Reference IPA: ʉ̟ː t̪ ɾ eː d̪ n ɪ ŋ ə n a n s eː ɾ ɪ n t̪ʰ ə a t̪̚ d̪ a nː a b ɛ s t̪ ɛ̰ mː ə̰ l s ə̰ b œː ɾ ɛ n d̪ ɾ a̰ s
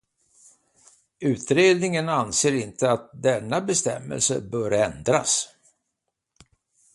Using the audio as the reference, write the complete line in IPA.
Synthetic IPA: ʉ̟ː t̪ ɾ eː d̪ n ɪ ŋ ə n a n s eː ɾ ɪ n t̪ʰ ə a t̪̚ d̪ ɛ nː a b ɛ s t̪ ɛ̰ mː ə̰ l s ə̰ b œː ɾ ɛ n d̪ ɾ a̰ s